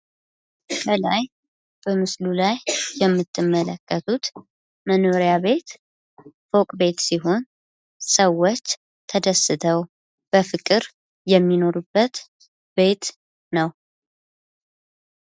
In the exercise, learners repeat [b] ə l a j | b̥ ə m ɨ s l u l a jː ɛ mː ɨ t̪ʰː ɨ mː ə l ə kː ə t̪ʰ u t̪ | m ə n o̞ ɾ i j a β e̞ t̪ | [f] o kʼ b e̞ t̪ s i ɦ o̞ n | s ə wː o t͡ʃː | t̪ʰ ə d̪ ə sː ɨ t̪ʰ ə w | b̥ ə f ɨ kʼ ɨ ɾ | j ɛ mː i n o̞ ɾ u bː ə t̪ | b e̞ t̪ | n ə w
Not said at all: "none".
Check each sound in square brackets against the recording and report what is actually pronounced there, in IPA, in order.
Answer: b, f

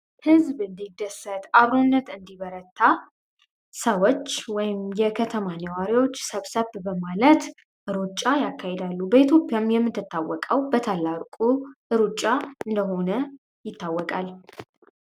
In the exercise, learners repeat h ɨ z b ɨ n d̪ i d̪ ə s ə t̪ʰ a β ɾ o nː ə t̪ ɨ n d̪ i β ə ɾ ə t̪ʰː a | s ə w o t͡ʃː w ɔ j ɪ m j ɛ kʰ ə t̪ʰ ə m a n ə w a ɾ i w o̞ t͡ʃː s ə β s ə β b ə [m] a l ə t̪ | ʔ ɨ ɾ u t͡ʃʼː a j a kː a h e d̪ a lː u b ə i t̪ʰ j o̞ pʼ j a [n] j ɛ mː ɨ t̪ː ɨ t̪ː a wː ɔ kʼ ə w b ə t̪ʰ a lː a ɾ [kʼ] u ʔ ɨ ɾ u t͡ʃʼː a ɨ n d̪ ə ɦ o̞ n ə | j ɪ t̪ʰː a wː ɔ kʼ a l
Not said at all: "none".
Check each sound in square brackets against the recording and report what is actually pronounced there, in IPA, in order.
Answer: m, m, kʼ

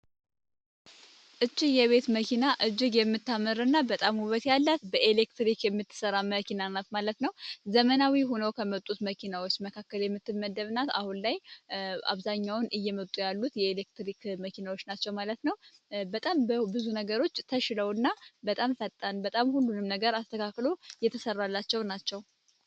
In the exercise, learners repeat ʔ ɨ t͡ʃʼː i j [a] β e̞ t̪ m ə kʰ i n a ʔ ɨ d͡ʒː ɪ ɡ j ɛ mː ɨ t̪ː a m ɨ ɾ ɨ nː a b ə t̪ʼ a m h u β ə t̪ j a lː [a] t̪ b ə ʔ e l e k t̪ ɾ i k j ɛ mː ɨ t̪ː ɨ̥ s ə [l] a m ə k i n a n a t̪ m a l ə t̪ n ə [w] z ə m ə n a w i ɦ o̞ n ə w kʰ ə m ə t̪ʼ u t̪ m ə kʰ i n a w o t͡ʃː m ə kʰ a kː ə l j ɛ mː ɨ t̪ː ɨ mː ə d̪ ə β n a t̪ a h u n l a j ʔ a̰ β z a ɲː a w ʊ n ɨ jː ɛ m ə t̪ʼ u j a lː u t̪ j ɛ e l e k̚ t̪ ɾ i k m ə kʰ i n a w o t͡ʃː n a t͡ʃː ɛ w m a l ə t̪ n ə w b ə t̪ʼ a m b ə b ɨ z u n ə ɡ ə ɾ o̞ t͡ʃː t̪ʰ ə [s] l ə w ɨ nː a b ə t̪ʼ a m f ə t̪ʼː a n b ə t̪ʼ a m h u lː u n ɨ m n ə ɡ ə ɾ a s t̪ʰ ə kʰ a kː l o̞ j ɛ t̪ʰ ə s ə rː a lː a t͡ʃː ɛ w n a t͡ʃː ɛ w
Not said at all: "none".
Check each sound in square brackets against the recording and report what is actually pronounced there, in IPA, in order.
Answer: ɛ, a, ɾ, w, ʃ

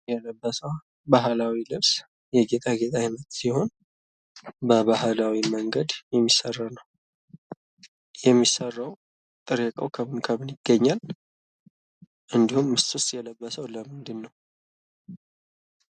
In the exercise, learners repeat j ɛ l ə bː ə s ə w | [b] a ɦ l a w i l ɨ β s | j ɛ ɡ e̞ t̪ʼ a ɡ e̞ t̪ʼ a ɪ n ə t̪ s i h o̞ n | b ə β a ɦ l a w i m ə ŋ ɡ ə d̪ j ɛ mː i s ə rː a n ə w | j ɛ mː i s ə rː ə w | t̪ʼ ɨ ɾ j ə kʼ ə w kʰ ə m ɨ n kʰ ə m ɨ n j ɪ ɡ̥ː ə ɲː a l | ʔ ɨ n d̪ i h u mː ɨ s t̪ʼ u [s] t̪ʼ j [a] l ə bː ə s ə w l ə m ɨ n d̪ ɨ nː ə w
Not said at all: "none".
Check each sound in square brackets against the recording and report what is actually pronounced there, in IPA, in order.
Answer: b, s, ɛ

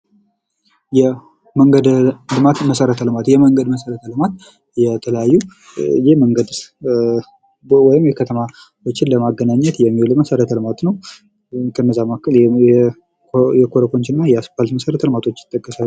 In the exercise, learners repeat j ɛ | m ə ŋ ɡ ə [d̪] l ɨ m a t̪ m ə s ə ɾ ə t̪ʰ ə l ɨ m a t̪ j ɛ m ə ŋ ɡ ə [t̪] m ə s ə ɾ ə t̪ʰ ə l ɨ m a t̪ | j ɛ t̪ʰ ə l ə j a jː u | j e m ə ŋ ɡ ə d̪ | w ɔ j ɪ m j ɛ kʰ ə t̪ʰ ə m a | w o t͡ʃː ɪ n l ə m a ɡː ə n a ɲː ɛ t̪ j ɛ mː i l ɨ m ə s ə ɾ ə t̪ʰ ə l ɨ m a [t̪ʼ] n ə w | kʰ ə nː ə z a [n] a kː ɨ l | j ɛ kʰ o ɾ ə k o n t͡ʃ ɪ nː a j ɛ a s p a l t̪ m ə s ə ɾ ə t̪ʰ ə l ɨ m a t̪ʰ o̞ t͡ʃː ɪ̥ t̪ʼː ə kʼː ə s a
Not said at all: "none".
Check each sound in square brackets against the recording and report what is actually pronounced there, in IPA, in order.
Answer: d̪, d̪, t̪, m

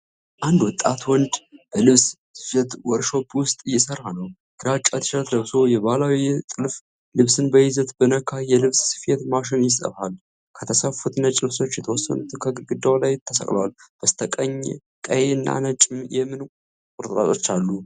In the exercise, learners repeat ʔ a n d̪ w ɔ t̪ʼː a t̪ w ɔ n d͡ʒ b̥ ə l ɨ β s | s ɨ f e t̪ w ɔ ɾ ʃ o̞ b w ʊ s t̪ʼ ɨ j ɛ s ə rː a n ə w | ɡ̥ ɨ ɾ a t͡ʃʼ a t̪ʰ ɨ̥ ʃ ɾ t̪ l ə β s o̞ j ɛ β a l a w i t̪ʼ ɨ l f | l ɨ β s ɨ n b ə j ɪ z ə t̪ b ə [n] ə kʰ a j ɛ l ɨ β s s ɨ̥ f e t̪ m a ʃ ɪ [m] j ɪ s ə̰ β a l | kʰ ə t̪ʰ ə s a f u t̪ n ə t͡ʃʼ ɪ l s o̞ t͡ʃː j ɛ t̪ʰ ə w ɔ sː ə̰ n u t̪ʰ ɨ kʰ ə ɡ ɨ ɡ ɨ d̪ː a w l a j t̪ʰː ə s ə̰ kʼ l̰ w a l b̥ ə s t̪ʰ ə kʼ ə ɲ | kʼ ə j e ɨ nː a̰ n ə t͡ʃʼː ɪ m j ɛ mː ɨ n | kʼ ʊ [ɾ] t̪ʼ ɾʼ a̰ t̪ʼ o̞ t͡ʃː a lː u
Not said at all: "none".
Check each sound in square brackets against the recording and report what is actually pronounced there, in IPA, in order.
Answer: n, n, ɾ

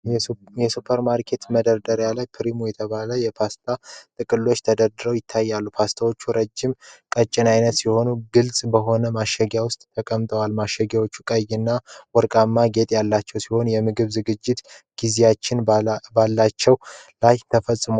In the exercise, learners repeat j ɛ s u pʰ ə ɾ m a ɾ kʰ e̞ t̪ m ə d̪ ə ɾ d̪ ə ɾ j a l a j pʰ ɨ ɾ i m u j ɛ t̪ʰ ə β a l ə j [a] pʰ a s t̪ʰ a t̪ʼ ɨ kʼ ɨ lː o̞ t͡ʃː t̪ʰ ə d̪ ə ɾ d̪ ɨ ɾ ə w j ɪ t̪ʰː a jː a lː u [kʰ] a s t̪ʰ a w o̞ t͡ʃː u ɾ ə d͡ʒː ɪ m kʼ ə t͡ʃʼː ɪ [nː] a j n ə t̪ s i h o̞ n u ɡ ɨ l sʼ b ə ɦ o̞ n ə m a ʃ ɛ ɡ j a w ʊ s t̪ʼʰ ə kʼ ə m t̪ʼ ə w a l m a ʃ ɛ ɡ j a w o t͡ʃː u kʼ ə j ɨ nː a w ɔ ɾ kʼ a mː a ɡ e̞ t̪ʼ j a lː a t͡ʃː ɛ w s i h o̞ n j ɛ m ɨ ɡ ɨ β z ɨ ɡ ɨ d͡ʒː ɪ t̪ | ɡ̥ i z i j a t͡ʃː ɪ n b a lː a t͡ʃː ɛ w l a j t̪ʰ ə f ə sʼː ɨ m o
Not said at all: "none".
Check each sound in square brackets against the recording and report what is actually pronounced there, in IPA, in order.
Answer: ɛ, pʰ, n

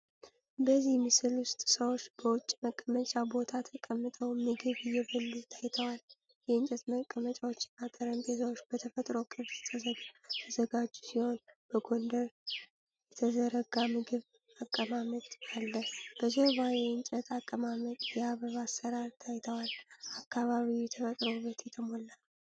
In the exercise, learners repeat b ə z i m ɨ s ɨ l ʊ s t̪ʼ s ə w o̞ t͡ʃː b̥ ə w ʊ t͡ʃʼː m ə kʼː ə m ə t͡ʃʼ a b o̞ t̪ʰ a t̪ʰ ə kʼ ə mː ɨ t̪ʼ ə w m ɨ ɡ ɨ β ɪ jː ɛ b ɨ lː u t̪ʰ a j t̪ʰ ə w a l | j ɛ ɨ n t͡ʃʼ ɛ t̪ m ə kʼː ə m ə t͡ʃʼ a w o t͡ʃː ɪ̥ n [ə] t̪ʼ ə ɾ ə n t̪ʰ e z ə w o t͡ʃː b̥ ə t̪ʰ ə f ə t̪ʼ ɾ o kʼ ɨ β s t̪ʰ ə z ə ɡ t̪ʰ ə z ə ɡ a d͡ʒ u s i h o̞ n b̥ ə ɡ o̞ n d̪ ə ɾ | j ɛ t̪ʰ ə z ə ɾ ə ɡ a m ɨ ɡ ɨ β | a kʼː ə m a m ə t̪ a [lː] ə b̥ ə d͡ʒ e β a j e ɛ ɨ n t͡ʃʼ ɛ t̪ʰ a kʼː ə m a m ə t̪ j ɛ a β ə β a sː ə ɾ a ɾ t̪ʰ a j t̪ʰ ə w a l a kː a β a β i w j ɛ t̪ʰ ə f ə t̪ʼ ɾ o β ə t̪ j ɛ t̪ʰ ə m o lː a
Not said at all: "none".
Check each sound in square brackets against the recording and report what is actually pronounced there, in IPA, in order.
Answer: a, lː

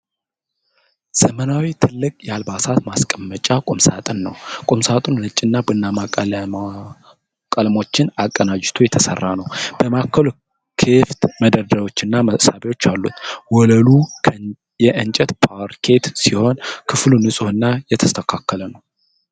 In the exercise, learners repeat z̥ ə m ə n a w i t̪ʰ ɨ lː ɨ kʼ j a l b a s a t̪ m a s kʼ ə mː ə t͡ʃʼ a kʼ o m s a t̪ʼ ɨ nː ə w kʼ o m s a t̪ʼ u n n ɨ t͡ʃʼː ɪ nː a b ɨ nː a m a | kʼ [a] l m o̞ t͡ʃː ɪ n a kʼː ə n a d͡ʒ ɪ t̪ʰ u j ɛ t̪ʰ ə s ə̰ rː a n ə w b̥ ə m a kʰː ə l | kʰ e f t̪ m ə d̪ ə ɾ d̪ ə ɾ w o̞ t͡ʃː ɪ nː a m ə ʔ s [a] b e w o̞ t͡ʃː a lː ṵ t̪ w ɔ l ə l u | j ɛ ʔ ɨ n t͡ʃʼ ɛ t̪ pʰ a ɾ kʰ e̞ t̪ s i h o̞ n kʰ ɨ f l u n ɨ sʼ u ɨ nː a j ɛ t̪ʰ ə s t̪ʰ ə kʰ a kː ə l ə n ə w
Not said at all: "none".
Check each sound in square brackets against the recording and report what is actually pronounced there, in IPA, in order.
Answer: ə, a

